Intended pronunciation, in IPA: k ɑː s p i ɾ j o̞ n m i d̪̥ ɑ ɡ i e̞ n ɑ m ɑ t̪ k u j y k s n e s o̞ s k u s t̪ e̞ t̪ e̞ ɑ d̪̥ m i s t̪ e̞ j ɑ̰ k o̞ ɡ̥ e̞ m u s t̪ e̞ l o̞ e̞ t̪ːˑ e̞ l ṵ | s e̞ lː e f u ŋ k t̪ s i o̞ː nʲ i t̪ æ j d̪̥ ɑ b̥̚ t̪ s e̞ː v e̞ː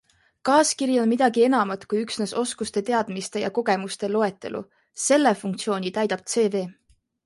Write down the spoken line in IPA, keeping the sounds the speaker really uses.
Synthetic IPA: k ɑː s k i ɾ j o̞ n m i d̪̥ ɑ ɡ i e̞ n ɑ m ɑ t̪ k u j y k s n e s o̞ s k u s t̪ e̞ t̪ e̞ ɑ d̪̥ m i s t̪ e̞ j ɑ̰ k o̞ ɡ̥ e̞ m u s t̪ e̞ l o̞ e̞ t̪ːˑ e̞ l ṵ | s e̞ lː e f u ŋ k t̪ s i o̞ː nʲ i t̪ æ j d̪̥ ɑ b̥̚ t̪ s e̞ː v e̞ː

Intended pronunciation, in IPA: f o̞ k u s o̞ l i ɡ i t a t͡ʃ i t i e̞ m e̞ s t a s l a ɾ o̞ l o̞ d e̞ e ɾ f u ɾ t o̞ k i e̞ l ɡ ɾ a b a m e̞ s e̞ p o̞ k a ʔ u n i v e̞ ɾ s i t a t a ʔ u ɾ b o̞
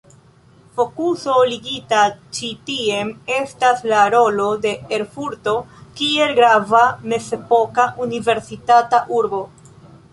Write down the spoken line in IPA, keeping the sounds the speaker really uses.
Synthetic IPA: f o̞ k u s o̞ l i ɡ i t a t͡ʃ i t i e̞ m e̞ s t a s l a ɾ o̞ l o̞ d e̞ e ɾ f u ɾ t o̞ k i e̞ l ɡ ɾ a v a m e̞ s e̞ p o̞ k a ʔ u n i v e̞ ɾ s i t a t a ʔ u ɾ b o̞

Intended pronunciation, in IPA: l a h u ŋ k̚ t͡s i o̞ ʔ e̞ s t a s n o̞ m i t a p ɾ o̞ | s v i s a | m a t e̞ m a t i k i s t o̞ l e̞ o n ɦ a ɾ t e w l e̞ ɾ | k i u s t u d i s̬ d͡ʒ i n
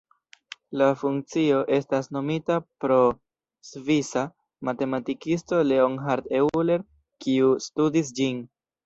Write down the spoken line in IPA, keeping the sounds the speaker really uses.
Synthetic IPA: l a f u ŋ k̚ t͡s i o̞ ʔ e̞ s t a s n o̞ m i t a p ɾ o̞ | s v i s a | m a t e̞ m a t i k i s t o̞ l e̞ o n ɦ a ɾ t e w l e̞ ɾ | k i u s t u d i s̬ d͡ʒ i n

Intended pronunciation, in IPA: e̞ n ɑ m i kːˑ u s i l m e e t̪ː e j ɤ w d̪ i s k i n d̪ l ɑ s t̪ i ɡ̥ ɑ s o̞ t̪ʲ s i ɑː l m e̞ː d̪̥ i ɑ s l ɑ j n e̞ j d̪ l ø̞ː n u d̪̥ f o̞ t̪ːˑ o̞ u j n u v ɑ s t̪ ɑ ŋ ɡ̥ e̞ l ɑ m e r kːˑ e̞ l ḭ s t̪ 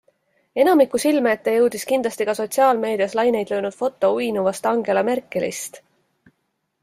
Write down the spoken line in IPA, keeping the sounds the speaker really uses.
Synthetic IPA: e̞ n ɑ m i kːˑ u s i l m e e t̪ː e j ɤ w d̪ i s k i n d̪ l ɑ s t̪ i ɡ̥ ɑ s o̞ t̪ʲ s i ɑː l m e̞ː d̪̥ i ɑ s l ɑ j n e̞ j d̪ l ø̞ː n u d̪̥ f o̞ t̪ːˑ o̞ u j n u v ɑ s t̪ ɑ ŋ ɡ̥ e̞ l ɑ m e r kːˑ e̞ l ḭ s t̪

